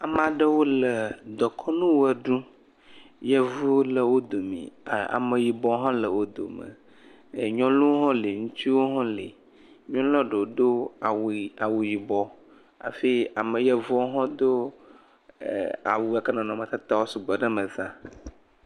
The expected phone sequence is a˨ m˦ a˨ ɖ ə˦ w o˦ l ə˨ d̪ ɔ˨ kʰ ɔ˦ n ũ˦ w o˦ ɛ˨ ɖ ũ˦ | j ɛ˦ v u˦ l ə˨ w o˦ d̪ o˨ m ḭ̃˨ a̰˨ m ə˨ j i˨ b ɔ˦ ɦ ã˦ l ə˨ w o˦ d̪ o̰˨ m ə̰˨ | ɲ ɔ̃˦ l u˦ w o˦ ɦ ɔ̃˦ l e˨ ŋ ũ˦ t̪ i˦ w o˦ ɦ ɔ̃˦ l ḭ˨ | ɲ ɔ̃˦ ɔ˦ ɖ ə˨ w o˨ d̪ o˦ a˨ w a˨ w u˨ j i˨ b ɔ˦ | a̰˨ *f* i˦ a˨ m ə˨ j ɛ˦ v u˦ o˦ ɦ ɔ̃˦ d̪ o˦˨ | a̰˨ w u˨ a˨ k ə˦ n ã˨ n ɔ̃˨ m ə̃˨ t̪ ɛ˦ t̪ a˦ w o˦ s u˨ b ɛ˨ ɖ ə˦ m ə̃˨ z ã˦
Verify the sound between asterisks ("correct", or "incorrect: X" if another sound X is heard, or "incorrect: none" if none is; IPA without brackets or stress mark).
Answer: correct